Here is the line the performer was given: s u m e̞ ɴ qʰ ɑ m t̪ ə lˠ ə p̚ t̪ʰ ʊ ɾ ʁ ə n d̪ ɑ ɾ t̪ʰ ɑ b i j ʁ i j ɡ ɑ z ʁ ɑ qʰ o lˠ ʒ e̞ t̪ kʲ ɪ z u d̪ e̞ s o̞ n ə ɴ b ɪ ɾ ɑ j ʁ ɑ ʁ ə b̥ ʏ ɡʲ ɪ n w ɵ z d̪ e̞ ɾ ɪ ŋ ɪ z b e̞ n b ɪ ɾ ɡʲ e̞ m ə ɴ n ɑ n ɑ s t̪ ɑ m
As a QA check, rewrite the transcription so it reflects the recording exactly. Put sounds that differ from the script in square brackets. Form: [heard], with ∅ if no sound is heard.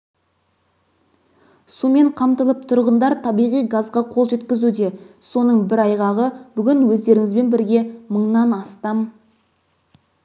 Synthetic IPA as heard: s u m e̞ ɴ qʰ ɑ m t̪ ə lˠ ə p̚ t̪ʰ ʊ ɾ ʁ ə n d̪ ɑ ɾ t̪ʰ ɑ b i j ʁ i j ɡ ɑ z ʁ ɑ qʰ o lˠ ʒ e̞ t̪ kʲ ɪ z u d̪ e̞ s o̞ n ə ɴ b ɪ ɾ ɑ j ʁ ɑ ʁ ə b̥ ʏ ɡʲ ɪ n w ɵ z d̪ e̞ ɾ ɪ ŋ ɪ z b e̞ n b ɪ ɾ ɡʲ e̞ m ə ɴ n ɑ n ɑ s t̪ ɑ m